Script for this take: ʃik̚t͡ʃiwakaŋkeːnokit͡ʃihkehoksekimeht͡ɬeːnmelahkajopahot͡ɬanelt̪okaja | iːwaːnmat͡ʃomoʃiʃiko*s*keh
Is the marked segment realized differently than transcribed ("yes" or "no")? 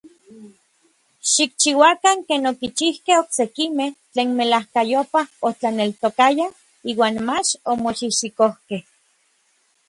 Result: yes